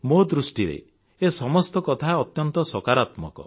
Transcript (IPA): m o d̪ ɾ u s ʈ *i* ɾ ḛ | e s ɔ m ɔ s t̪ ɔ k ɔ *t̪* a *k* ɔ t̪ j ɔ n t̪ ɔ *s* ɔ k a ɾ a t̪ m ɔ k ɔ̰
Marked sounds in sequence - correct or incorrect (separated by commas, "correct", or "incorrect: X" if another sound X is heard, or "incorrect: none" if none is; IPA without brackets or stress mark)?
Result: correct, incorrect: t̪ʰ, incorrect: none, correct